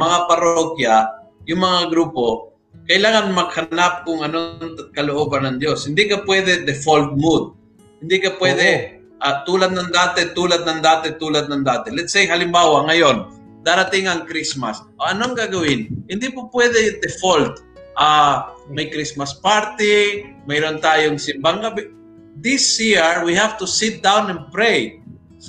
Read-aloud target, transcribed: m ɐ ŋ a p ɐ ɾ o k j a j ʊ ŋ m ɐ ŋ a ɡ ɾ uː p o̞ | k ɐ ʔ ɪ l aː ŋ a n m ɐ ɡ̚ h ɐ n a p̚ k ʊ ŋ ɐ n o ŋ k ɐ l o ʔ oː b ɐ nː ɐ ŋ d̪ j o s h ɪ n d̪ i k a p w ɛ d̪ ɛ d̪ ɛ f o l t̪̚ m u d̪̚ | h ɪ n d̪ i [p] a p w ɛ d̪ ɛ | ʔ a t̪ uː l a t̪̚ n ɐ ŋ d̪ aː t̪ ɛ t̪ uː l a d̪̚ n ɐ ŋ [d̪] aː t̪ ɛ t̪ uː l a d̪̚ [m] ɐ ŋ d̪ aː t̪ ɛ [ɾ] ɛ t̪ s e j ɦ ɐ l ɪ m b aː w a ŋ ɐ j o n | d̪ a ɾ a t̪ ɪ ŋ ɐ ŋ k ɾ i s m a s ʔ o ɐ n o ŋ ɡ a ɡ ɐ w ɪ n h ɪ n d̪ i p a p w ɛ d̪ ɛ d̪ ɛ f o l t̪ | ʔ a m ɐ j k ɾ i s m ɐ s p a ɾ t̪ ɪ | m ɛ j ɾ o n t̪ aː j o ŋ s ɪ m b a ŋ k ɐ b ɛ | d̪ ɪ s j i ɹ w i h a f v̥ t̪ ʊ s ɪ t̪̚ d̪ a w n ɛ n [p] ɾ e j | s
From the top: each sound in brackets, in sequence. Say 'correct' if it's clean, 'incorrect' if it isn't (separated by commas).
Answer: incorrect, correct, incorrect, incorrect, correct